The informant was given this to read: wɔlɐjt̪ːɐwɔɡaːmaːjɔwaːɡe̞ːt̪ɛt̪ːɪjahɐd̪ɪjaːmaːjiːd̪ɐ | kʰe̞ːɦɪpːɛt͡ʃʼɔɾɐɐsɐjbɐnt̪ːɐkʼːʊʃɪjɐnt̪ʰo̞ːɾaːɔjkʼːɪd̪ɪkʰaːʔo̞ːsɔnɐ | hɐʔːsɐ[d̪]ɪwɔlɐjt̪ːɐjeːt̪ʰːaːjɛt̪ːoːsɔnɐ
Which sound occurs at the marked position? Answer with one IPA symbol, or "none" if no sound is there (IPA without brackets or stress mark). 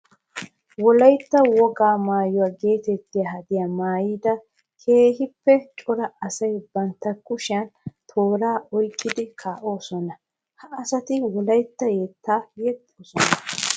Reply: t̪